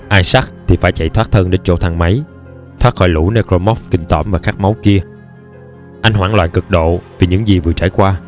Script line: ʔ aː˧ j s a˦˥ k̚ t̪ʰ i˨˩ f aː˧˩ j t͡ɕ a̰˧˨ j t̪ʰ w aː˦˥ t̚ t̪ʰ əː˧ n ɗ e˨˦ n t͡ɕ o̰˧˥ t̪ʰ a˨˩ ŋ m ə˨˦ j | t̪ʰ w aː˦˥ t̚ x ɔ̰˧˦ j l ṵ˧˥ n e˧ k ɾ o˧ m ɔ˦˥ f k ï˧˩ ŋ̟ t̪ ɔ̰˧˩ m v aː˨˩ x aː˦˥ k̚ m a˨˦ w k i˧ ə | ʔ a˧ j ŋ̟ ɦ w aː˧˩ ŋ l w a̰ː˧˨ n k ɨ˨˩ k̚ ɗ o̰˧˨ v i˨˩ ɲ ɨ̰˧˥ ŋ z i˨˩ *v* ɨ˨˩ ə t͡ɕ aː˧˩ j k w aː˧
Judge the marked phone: correct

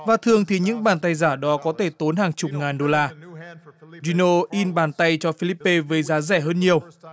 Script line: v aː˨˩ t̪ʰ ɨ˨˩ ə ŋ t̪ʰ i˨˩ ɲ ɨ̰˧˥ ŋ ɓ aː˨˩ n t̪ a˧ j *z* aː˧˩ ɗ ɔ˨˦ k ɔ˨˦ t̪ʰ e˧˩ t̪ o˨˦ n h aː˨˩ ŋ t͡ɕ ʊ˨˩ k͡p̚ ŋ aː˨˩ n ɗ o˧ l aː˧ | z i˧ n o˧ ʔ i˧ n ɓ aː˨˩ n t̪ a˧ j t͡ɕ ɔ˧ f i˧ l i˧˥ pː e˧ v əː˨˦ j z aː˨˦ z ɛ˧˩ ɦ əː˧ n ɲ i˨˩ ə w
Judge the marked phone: correct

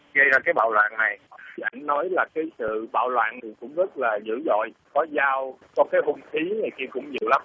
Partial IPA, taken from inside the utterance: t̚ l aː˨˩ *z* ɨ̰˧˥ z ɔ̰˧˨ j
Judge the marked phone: correct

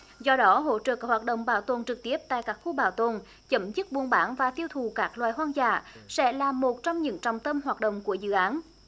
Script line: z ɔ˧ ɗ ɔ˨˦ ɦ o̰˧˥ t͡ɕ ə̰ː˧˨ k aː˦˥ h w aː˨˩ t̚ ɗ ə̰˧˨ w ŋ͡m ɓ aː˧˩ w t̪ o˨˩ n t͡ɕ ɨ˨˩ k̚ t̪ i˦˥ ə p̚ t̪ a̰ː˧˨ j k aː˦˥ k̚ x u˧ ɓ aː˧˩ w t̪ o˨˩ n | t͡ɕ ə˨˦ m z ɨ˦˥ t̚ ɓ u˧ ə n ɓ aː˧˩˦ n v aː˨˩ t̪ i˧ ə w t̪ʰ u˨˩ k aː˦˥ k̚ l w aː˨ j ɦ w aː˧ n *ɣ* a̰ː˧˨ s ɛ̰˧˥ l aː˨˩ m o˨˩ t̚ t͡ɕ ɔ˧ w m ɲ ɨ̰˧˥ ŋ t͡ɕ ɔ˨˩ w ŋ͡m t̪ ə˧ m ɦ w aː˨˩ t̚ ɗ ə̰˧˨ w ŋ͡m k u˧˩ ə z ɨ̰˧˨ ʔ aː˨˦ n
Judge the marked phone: incorrect: z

